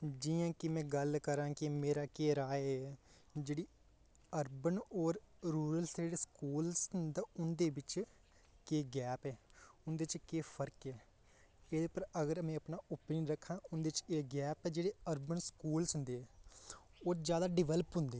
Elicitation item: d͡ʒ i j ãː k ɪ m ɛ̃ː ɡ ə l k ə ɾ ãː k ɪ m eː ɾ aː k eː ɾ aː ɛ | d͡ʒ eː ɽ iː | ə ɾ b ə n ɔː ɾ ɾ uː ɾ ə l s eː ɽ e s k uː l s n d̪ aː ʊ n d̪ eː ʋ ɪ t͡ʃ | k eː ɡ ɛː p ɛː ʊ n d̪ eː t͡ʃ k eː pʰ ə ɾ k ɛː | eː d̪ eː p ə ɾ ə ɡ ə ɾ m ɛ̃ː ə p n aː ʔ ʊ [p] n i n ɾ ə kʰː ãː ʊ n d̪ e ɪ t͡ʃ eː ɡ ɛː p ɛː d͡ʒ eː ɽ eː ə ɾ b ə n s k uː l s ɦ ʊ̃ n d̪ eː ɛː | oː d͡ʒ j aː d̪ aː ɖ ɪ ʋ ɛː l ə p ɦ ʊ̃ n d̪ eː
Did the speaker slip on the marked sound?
no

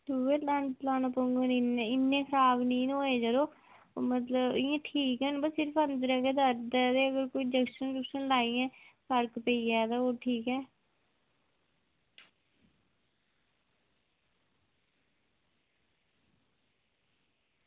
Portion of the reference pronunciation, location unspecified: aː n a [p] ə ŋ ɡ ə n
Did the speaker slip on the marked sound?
no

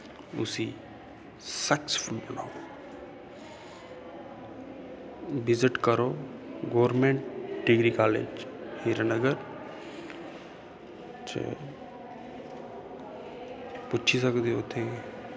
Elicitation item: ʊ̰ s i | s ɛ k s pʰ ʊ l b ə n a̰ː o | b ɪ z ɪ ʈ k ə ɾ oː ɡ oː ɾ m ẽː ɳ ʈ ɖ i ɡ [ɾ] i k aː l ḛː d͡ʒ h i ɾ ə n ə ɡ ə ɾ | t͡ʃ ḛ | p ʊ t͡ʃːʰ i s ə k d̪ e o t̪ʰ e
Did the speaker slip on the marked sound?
no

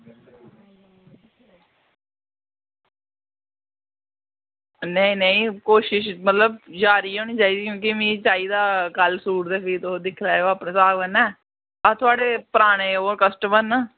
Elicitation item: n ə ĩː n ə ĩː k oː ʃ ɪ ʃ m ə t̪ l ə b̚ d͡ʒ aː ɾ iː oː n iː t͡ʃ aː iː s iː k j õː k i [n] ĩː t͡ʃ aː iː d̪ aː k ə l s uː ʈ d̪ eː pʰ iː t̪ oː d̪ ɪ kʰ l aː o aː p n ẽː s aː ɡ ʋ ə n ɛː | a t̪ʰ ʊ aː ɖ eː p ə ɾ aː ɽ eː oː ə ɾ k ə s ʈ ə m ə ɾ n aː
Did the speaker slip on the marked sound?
yes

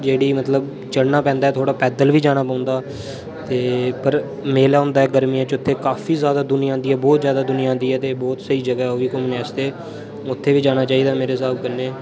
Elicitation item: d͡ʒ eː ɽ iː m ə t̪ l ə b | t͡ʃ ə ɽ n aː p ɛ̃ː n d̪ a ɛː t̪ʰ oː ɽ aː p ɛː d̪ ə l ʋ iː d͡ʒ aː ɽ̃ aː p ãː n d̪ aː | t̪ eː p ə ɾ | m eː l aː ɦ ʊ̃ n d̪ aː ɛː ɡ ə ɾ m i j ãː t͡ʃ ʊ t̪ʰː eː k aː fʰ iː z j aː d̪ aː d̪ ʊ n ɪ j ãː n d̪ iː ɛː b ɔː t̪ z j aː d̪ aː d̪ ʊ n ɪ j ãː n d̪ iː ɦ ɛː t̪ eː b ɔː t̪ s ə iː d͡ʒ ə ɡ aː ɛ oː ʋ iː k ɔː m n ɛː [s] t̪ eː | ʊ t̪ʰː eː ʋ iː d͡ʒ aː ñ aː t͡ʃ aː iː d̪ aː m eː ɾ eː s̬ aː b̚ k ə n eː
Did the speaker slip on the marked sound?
no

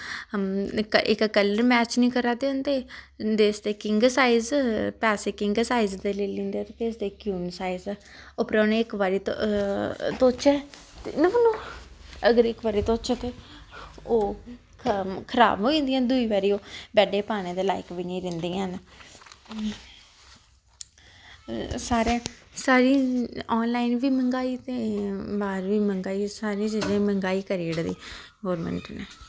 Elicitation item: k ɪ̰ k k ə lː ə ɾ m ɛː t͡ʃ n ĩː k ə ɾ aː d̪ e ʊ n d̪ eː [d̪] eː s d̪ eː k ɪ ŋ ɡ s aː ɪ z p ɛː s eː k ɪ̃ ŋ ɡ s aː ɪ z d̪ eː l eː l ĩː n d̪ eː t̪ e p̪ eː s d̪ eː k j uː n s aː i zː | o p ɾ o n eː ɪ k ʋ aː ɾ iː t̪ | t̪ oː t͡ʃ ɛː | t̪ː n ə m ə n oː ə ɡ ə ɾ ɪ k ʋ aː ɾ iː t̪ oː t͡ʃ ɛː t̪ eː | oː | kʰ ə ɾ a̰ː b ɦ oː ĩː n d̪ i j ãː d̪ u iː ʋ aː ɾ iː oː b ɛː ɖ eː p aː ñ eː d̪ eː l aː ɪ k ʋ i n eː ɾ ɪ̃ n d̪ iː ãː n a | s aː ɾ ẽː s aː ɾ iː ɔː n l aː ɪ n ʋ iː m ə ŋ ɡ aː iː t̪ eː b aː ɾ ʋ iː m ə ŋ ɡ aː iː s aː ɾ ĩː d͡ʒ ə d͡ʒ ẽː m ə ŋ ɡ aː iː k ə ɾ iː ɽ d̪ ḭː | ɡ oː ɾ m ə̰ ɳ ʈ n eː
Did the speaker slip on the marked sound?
no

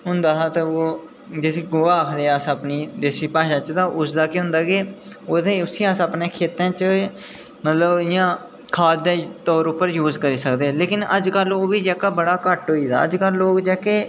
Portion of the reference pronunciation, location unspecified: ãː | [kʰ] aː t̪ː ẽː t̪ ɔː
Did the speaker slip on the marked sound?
no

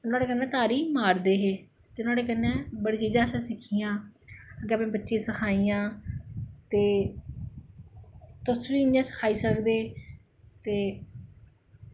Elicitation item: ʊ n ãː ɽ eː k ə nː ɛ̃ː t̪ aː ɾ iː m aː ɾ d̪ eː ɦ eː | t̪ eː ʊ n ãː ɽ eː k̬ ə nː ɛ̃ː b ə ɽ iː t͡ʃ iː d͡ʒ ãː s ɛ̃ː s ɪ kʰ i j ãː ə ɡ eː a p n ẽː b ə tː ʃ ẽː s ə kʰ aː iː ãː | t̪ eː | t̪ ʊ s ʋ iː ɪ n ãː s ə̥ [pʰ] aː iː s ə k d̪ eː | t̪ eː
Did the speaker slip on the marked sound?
yes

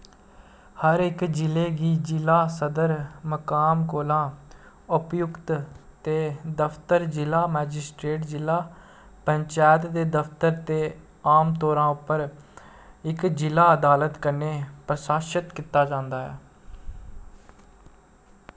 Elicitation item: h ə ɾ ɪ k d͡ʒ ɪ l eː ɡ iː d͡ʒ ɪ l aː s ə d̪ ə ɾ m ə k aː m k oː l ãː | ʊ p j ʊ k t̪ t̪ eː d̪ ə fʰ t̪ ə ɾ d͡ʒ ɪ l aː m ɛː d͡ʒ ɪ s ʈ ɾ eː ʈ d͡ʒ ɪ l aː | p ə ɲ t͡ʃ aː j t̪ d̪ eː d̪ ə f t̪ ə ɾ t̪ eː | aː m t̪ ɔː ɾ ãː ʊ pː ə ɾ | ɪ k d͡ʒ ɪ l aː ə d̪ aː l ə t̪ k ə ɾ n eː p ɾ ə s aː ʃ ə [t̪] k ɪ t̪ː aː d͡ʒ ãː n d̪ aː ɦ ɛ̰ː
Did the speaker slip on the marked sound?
no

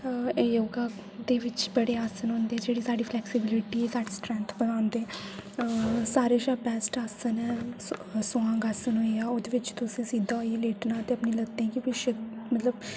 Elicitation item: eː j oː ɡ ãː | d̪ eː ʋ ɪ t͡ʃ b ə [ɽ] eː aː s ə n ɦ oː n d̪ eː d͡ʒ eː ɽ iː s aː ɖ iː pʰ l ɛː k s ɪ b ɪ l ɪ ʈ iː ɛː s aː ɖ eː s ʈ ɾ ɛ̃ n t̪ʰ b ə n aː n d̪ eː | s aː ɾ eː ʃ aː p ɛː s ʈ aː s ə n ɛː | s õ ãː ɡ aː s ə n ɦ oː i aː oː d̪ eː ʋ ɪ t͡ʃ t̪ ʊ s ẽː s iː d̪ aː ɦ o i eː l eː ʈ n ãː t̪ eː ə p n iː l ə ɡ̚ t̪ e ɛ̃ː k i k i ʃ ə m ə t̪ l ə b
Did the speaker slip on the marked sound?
no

